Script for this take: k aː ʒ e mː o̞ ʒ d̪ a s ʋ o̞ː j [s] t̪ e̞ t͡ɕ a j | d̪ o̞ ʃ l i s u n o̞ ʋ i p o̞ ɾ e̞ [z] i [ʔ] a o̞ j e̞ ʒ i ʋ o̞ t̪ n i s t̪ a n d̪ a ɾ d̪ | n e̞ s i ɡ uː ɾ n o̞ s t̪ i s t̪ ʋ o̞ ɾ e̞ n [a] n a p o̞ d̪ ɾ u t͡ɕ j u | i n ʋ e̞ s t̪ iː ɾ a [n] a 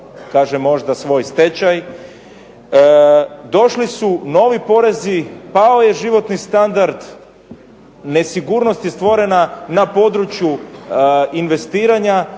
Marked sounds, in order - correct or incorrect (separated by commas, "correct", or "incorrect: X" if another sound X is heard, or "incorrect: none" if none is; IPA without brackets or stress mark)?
correct, correct, incorrect: p, correct, incorrect: ɲ